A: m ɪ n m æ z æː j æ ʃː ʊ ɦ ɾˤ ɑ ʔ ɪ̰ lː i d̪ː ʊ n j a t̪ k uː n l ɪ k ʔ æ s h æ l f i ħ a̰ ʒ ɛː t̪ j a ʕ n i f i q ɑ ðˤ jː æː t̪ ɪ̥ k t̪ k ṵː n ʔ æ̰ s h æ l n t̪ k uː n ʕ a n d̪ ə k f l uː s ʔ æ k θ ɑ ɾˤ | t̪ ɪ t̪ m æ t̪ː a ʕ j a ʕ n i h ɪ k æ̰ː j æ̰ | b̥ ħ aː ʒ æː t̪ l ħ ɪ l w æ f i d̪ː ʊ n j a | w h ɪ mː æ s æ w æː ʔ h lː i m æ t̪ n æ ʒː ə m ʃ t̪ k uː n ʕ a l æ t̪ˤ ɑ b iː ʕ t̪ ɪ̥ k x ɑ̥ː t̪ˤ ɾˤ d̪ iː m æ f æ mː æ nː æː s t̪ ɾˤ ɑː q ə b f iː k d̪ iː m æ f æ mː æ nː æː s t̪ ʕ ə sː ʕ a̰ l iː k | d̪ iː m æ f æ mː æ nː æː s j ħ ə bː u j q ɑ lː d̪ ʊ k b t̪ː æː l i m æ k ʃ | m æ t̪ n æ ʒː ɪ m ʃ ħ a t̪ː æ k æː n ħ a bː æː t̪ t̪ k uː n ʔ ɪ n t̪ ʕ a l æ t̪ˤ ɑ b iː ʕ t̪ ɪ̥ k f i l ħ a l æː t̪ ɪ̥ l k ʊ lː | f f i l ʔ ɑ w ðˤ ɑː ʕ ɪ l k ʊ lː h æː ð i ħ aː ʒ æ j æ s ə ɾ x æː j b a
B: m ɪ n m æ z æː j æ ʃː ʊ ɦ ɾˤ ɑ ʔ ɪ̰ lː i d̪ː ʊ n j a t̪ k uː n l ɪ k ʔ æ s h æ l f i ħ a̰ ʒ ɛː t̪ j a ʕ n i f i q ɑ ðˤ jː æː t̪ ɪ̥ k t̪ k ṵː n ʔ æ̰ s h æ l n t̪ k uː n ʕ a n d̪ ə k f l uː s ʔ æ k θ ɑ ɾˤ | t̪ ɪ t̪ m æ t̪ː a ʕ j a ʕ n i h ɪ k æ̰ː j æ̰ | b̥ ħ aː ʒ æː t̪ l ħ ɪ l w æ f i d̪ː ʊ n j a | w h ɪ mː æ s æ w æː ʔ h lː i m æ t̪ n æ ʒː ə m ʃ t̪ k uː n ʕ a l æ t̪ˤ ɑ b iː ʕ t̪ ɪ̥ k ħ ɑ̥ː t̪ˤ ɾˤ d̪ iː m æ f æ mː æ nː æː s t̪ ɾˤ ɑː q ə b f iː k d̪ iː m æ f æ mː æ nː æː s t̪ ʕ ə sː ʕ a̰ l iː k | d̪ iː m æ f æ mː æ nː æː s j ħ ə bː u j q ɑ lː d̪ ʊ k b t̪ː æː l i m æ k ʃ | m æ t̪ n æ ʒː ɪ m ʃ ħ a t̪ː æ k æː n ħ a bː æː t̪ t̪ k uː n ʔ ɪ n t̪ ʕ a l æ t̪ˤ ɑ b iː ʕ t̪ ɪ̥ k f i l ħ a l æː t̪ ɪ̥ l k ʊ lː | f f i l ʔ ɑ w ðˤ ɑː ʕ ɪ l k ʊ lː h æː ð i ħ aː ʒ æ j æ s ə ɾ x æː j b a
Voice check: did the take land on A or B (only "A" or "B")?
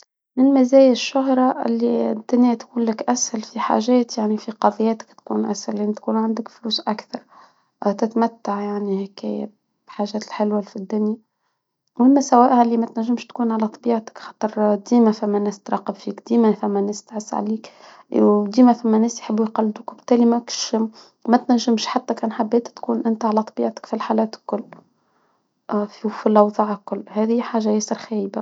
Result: A